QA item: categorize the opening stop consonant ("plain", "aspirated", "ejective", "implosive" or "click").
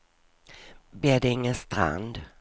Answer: plain